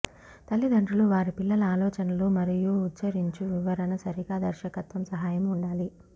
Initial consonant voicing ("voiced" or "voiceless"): voiceless